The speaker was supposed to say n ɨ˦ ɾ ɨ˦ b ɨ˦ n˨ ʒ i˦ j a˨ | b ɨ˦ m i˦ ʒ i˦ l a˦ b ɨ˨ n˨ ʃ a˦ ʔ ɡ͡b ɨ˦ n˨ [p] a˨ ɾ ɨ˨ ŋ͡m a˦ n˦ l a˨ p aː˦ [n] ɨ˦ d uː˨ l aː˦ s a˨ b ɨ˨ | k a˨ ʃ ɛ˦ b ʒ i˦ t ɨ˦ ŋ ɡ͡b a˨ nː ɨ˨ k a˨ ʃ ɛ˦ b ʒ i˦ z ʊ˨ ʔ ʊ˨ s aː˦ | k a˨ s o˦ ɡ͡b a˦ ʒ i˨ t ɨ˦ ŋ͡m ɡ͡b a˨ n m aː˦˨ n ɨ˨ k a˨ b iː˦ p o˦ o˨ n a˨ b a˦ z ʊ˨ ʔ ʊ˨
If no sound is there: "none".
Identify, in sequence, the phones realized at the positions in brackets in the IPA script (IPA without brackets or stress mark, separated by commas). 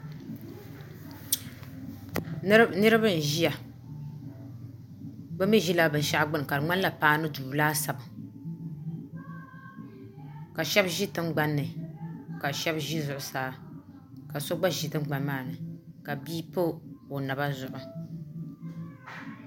k, n